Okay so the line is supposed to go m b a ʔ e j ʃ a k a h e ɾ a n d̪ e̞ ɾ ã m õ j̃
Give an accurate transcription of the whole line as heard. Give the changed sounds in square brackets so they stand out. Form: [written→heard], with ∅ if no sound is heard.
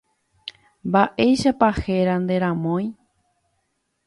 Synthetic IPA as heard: m b a ʔ e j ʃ a [k→p] a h e ɾ a n d̪ e̞ ɾ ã m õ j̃